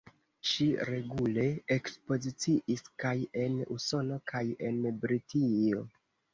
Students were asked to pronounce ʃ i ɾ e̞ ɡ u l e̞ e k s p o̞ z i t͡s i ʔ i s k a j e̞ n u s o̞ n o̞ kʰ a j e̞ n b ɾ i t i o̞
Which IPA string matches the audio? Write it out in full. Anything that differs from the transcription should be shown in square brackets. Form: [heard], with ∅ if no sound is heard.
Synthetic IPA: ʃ i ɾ e̞ ɡ u l e̞ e k s p o̞ z i t͡s i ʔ i s k a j e̞ n u s o̞ n o̞ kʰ a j e̞ n b ɾ i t i o̞